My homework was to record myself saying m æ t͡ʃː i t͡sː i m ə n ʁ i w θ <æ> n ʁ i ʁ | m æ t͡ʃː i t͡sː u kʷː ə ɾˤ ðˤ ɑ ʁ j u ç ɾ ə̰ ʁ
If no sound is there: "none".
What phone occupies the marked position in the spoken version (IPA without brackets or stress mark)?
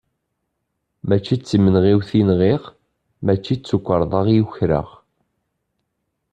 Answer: i